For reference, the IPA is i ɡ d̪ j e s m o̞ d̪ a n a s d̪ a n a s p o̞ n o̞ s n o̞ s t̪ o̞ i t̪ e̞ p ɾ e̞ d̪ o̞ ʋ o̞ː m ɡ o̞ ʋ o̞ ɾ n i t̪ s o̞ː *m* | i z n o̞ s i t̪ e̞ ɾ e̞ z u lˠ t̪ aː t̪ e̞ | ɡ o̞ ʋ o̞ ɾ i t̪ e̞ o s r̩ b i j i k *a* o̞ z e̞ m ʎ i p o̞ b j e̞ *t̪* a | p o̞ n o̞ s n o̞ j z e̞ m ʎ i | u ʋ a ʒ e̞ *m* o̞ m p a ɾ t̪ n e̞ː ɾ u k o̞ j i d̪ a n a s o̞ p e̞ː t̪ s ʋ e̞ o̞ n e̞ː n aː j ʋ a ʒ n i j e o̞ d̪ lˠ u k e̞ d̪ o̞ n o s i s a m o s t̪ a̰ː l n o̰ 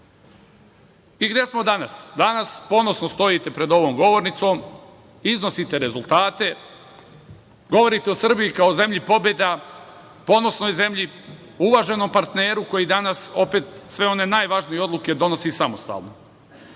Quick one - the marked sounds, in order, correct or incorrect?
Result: correct, correct, incorrect: d̪, incorrect: n

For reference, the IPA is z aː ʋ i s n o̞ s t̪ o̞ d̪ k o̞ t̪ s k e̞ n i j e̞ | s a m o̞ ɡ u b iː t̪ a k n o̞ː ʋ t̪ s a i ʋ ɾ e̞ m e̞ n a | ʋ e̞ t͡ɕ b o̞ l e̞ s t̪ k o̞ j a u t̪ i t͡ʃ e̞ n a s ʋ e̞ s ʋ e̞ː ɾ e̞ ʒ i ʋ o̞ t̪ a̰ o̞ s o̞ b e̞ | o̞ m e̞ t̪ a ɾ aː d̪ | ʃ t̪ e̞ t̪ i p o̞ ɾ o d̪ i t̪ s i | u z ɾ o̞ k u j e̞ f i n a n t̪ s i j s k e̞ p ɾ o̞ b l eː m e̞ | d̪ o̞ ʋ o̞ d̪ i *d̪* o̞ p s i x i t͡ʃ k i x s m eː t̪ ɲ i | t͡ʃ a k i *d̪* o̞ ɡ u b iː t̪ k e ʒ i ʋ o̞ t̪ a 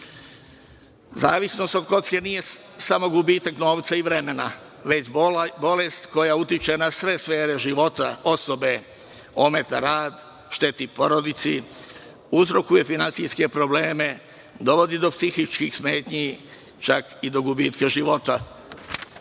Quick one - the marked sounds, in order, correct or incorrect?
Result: correct, correct

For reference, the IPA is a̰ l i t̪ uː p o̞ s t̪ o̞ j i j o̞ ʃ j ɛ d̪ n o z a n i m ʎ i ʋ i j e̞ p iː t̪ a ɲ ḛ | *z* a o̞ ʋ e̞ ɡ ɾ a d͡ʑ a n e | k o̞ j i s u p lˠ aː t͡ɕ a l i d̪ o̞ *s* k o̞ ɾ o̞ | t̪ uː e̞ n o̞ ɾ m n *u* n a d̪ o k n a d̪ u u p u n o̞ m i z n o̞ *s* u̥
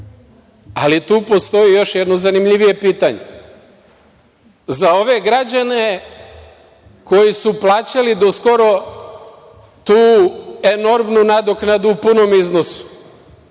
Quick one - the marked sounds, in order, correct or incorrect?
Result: correct, correct, correct, correct

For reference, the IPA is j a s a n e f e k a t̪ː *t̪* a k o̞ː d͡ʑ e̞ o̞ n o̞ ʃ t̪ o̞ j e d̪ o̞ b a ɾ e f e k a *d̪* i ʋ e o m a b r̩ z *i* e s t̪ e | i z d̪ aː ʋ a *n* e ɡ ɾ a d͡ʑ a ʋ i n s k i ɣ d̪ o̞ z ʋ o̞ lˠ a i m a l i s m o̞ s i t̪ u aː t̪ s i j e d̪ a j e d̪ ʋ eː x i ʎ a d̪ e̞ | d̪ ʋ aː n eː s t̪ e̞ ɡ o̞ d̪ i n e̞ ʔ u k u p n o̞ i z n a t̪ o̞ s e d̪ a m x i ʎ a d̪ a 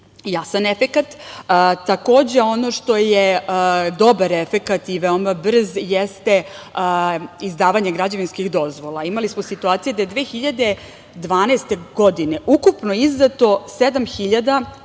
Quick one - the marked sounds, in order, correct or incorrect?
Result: correct, incorrect: t̪, incorrect: j, incorrect: ɲ

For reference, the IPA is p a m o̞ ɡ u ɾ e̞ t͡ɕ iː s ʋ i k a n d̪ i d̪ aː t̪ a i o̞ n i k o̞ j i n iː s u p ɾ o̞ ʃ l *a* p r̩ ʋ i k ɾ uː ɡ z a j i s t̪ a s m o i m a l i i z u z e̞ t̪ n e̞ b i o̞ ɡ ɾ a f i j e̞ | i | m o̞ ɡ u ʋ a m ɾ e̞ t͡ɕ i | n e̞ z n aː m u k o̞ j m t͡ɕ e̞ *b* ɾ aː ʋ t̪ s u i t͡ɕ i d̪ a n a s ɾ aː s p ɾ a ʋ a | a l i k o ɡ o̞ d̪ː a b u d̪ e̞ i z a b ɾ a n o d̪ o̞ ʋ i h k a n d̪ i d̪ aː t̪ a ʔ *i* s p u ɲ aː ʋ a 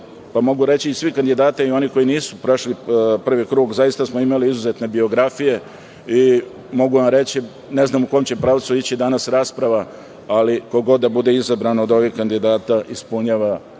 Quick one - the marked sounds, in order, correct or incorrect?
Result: incorrect: i, incorrect: p, correct

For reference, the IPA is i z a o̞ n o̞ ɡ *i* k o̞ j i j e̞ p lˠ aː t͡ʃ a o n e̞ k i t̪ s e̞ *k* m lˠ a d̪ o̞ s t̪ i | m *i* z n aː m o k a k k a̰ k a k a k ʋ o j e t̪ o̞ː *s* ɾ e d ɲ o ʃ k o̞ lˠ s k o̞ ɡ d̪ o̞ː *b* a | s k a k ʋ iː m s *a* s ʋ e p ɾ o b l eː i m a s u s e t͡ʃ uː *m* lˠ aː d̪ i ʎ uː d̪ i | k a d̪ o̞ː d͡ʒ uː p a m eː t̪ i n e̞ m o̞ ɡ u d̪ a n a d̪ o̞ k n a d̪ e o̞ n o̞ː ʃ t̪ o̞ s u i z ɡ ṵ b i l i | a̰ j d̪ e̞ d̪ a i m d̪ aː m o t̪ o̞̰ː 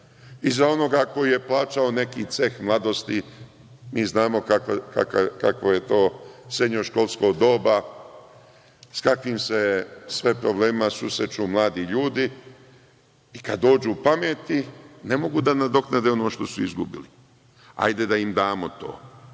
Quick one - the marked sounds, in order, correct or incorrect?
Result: incorrect: a, incorrect: x, incorrect: iː, correct, correct, incorrect: e, correct

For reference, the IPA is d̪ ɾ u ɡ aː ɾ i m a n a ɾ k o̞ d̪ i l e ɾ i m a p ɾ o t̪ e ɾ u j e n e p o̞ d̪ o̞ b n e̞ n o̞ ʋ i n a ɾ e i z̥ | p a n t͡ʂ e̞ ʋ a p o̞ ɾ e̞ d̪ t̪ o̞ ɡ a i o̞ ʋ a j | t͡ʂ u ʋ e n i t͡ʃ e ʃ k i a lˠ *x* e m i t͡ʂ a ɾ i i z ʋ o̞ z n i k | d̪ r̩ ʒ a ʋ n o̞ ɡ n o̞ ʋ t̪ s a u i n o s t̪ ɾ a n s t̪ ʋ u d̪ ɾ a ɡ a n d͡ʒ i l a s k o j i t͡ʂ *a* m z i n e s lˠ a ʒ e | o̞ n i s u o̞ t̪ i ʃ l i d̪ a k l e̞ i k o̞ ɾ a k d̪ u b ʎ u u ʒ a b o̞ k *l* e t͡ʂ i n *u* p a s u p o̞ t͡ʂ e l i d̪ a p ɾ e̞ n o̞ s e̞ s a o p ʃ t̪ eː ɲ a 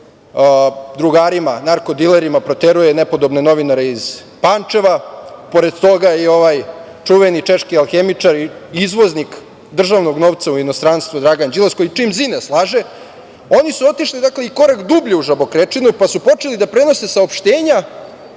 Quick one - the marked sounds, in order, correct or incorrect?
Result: correct, incorrect: i, incorrect: ɾ, correct

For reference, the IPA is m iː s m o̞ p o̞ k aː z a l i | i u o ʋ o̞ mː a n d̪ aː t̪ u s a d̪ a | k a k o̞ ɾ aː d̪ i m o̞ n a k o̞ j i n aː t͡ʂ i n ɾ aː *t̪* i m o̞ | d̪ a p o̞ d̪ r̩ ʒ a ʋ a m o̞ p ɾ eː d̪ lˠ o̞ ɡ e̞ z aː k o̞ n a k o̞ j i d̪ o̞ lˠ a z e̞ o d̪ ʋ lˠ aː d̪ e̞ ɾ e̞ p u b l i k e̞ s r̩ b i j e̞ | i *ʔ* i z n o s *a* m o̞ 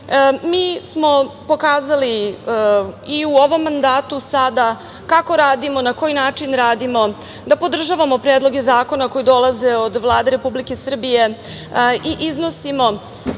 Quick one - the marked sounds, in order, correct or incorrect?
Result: incorrect: d̪, correct, incorrect: i

